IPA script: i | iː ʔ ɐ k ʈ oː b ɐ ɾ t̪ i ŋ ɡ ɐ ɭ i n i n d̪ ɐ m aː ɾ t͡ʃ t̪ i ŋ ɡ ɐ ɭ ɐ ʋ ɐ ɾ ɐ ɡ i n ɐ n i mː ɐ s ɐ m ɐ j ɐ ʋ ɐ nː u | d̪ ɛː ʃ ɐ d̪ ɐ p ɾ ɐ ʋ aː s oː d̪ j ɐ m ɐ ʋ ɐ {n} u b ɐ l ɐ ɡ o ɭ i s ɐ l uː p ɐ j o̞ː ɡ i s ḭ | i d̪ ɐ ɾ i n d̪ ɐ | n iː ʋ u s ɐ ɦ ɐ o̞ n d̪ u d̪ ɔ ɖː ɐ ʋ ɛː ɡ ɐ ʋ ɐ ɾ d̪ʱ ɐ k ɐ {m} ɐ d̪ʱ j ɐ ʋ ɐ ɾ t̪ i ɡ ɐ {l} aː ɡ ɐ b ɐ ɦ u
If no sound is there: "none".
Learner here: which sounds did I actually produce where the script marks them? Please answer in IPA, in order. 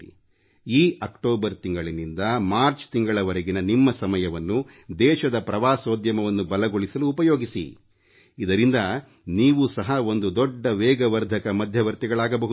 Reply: nː, m, ɭ

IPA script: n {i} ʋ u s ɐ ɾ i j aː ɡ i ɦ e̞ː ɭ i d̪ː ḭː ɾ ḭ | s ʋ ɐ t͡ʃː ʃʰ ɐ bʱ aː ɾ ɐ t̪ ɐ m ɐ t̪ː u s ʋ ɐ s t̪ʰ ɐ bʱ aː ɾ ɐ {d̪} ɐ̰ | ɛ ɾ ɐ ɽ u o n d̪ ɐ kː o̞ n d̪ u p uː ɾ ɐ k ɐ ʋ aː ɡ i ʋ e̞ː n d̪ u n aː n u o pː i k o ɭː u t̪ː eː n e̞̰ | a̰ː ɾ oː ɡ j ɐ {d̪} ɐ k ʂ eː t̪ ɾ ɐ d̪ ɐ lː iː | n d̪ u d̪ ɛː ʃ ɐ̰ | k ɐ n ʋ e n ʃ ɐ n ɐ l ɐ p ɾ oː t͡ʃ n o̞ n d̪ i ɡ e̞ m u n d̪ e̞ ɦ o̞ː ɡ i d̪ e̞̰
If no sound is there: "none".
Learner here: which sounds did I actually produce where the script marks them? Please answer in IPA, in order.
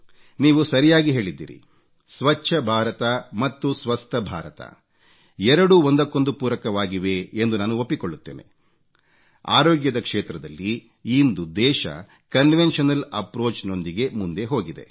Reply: iː, t̪, d̪

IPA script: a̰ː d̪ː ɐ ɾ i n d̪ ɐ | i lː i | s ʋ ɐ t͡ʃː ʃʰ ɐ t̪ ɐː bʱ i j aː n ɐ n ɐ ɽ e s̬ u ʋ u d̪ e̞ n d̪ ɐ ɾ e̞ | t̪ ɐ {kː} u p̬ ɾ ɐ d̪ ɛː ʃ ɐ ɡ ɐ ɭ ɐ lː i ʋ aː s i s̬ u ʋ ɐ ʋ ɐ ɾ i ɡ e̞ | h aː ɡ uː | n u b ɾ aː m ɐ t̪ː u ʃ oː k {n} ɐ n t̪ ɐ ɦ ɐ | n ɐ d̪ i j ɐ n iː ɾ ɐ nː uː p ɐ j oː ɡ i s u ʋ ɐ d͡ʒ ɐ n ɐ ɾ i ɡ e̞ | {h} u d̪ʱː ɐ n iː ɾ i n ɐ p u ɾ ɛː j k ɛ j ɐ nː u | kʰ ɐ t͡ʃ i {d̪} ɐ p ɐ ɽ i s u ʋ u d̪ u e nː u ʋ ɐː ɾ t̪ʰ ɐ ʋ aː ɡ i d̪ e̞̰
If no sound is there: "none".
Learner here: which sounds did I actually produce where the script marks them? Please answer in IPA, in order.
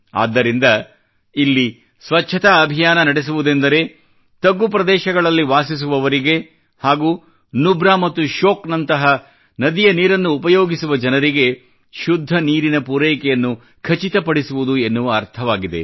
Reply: ɡː, n, ʃ, t̪

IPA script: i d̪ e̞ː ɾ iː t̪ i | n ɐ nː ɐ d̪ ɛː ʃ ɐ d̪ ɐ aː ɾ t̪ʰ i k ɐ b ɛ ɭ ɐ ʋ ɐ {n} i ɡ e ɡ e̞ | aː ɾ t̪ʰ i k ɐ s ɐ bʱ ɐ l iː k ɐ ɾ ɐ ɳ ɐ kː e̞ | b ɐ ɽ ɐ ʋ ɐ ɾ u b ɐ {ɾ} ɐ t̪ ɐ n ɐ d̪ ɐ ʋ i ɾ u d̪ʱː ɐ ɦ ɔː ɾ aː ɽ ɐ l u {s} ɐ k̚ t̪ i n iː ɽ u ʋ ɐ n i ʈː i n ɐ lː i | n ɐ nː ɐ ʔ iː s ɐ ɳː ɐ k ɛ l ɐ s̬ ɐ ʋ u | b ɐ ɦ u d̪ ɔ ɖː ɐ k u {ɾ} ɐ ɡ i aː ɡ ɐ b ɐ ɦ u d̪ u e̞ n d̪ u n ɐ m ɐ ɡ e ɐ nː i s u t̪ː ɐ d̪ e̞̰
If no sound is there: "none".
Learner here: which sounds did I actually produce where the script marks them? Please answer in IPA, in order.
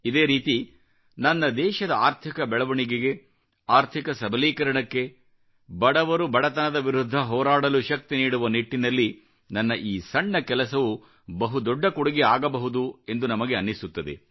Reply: ɳ, ɽ, ʃ, ɽ

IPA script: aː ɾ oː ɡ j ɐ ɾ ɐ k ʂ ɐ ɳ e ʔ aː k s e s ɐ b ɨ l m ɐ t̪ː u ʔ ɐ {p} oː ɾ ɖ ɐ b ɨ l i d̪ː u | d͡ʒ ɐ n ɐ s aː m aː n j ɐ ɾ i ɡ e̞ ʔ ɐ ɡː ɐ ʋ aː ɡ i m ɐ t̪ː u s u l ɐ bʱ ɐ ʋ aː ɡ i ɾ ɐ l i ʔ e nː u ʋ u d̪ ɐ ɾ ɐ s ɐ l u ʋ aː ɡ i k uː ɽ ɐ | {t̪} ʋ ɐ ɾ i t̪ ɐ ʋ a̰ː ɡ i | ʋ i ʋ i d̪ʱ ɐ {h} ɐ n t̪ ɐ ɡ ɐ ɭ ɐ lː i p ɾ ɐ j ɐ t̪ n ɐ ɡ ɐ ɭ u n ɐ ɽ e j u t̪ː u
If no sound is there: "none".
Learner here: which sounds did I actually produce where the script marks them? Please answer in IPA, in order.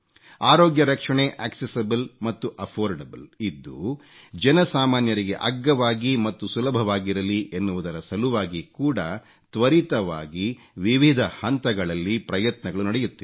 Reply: pʰ, t̪, h

